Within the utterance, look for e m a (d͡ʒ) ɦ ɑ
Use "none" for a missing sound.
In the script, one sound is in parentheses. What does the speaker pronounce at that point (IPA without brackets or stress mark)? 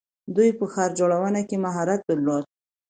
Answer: none